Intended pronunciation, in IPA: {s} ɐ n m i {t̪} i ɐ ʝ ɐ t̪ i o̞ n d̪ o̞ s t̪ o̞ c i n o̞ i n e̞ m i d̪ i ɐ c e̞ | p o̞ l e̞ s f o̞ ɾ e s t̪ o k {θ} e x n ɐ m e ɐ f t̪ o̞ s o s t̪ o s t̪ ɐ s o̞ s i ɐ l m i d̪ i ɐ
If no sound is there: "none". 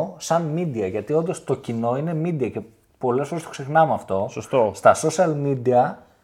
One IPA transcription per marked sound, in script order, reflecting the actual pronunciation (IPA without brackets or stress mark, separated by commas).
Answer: s, d̪, s